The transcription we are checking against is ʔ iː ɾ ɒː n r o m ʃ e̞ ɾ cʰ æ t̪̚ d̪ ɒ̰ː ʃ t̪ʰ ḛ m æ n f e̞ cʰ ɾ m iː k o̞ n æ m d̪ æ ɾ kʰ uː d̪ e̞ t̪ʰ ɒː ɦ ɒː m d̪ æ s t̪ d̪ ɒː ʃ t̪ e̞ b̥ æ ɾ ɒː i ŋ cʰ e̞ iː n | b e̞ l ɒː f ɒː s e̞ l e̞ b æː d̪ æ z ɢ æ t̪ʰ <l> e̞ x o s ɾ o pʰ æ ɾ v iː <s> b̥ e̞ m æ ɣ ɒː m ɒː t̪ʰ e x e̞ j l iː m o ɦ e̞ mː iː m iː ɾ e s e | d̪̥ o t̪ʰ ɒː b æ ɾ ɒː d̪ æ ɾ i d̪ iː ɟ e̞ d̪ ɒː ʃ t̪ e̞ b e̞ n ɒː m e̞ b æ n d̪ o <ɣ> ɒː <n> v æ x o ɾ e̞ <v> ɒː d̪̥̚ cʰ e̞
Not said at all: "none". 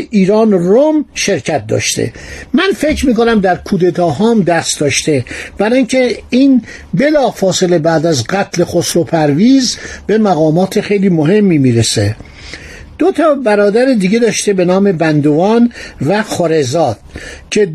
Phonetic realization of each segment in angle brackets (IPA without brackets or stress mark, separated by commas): l, z, v, n, z